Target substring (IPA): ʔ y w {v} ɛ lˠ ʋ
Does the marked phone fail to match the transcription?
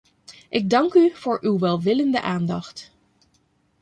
yes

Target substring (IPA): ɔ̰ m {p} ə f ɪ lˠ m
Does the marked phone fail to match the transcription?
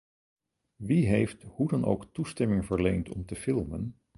yes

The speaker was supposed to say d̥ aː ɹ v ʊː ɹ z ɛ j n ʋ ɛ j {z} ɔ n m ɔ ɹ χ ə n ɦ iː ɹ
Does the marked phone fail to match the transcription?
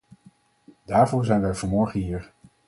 yes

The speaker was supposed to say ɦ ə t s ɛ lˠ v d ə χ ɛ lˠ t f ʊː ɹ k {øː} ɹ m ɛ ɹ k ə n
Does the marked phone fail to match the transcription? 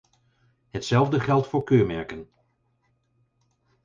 no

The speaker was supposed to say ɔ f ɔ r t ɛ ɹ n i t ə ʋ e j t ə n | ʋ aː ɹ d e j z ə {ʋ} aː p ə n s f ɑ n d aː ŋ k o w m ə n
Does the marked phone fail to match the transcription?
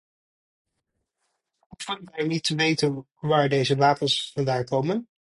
no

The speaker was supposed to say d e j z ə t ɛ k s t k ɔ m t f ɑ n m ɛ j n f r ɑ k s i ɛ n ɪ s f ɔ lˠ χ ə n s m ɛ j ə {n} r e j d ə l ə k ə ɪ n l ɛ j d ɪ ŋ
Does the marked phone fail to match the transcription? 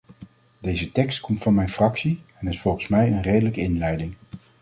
no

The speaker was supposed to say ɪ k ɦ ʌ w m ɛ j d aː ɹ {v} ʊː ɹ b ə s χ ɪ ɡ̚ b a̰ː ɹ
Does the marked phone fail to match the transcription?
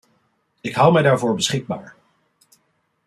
no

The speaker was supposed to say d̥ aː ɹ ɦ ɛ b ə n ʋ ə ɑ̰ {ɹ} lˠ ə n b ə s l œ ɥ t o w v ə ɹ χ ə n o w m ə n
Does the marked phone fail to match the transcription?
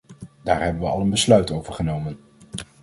yes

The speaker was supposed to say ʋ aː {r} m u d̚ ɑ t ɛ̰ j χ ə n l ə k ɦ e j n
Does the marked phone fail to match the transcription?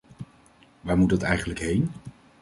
yes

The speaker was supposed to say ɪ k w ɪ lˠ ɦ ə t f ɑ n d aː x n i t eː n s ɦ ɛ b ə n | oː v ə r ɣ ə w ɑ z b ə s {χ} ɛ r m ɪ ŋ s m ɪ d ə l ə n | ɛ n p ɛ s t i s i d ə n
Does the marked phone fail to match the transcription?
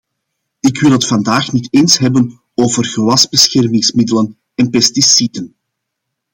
yes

